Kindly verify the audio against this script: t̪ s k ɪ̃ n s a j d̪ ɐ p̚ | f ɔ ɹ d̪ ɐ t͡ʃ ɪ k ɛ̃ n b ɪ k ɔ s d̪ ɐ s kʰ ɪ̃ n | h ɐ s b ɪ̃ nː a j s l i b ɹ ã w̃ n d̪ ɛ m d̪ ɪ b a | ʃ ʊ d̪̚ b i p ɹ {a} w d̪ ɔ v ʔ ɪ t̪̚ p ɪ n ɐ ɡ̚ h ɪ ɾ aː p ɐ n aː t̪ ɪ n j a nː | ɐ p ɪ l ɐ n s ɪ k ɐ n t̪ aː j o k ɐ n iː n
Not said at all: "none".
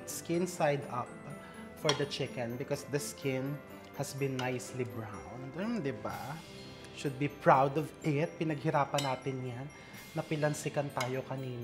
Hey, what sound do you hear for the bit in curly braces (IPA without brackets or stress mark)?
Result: a